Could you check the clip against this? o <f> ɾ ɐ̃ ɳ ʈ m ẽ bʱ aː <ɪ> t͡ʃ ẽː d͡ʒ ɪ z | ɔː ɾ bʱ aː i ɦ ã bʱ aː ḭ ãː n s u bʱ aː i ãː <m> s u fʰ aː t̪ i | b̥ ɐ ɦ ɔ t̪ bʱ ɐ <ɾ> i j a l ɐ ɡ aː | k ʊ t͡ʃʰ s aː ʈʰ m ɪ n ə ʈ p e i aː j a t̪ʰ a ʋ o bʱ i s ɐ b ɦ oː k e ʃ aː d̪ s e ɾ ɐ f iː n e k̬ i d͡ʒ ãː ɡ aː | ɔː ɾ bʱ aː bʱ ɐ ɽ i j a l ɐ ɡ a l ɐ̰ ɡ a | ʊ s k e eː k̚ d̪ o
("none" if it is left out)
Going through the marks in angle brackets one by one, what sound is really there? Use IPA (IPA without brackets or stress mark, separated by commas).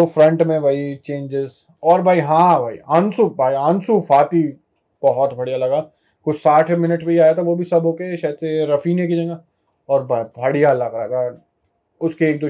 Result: f, i, n, ɽ